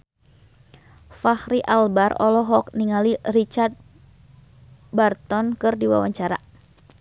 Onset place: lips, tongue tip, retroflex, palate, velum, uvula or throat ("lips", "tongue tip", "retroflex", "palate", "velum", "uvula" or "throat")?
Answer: lips